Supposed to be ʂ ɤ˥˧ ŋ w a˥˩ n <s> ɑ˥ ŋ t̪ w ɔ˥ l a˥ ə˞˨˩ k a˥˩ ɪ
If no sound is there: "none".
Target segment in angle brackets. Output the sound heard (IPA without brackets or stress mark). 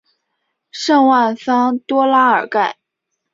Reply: s